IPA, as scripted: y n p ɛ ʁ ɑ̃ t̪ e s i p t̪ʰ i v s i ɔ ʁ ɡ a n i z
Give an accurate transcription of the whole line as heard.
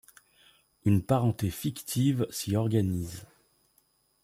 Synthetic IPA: y n p a ʁ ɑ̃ t̪ e f i k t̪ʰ i v s i ɔ ʁ ɡ a n i z